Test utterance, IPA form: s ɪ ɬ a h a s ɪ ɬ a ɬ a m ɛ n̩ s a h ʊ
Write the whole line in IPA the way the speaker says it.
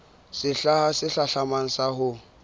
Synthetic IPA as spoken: s ɪ ɬ a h a s ɪ ɬ a ɬ a m a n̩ s a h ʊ